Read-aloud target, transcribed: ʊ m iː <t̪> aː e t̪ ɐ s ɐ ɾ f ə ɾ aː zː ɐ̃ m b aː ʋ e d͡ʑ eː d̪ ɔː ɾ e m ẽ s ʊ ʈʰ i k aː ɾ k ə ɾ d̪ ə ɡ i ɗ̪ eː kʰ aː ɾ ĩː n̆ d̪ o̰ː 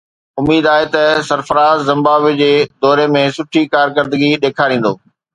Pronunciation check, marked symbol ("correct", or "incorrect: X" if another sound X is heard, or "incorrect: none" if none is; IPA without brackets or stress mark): incorrect: d̪